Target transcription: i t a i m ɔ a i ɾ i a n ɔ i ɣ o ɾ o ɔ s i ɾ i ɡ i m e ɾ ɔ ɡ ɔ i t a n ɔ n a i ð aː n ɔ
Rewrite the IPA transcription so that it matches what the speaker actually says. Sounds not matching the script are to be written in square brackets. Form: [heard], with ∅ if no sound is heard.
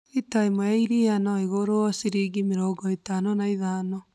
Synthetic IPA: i t a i m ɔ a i ɾ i a n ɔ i ɣ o ɾ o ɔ s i ɾ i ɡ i m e ɾ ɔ ɡ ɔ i t a n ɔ n a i ð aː n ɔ